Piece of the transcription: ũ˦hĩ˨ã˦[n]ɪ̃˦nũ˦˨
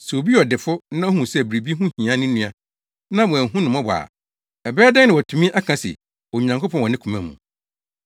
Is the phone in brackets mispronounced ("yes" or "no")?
no